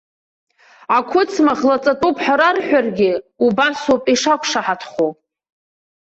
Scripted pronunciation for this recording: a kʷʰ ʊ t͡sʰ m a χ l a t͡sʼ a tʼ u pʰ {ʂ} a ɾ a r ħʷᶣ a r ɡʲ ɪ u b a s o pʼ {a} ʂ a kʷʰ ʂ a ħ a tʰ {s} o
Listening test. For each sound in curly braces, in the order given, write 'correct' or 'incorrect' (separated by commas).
incorrect, incorrect, incorrect